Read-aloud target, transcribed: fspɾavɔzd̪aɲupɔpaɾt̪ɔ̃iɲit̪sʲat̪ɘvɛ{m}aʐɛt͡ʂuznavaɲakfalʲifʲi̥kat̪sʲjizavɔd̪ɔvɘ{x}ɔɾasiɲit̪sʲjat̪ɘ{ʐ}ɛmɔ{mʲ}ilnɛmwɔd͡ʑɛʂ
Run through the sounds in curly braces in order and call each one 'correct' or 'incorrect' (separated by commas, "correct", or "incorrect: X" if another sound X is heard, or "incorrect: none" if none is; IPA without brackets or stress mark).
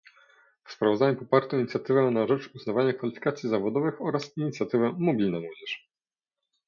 incorrect: n, correct, incorrect: v, incorrect: bʲ